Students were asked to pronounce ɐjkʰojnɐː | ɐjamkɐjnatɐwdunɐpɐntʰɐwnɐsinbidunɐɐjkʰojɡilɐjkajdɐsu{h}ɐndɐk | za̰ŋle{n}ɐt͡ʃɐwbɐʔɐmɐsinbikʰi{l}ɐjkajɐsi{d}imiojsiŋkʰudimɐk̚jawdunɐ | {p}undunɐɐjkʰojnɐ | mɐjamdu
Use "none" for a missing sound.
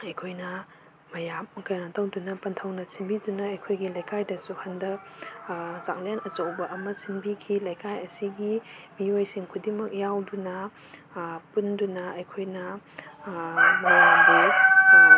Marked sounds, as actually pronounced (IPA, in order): h, n, l, ɡ, p

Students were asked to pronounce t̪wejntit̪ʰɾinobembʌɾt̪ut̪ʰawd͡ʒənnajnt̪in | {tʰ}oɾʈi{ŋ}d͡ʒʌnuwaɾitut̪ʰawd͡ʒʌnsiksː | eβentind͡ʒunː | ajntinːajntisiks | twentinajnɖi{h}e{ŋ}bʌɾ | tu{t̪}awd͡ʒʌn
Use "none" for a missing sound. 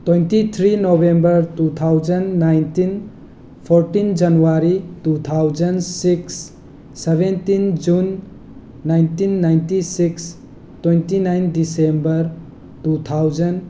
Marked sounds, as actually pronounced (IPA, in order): pʰ, n, s, m, t̪ʰ

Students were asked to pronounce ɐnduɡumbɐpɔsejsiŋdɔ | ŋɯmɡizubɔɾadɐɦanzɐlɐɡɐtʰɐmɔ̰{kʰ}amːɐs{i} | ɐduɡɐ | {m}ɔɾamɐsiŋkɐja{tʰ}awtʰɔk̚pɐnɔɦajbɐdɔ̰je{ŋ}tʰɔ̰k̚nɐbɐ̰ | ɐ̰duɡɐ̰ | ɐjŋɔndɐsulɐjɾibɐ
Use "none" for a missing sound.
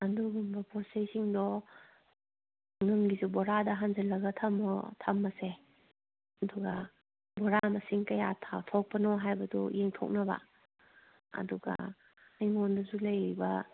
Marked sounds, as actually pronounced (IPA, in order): tʰ, e, b, tʰ, ŋ

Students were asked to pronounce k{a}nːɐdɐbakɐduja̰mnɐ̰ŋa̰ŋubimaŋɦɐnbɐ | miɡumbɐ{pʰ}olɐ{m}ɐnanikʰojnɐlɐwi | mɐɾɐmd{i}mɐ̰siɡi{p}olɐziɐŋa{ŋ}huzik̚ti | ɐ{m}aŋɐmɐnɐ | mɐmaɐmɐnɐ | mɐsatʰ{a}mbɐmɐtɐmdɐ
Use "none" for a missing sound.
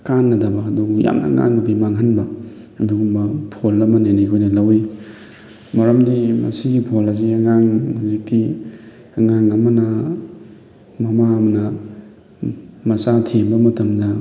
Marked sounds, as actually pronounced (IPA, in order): a, pʰ, m, i, pʰ, ŋ, ŋ, e

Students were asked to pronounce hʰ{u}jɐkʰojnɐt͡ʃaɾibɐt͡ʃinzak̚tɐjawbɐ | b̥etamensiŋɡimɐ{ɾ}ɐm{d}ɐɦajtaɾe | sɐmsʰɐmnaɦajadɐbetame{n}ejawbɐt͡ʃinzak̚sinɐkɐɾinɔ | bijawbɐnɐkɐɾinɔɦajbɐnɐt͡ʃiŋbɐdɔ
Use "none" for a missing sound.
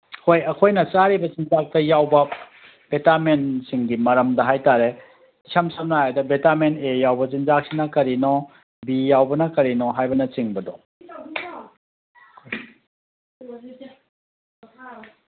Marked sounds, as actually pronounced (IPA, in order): o, ɾ, d, n

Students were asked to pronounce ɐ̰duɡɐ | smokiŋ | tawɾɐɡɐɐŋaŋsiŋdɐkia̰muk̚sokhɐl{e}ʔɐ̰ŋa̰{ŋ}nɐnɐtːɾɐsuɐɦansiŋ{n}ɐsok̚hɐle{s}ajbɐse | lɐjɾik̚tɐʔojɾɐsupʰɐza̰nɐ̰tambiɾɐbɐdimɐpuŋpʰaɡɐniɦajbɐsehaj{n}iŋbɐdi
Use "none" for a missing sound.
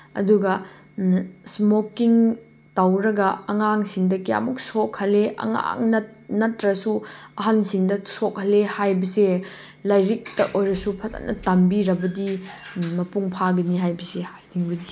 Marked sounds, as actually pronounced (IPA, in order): e, ŋ, d, h, d

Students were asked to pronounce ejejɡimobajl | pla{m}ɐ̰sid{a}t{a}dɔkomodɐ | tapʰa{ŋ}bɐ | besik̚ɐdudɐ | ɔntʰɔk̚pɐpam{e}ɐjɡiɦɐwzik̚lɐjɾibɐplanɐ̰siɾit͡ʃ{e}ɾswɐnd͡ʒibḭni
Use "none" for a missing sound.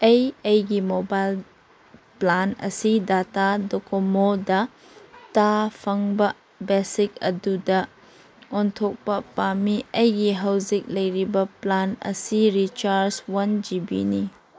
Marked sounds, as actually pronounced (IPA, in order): n, a, a, ŋ, i, a

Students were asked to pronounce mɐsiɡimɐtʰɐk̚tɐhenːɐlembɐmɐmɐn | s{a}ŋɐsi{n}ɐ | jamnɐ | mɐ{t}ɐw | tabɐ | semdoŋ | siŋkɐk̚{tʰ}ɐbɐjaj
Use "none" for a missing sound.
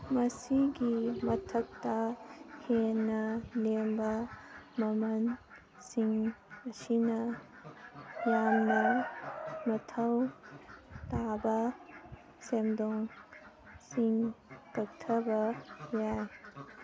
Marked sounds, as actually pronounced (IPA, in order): i, n, tʰ, tʰ

